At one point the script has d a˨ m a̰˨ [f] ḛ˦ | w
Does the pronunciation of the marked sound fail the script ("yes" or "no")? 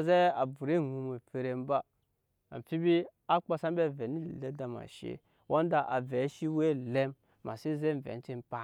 yes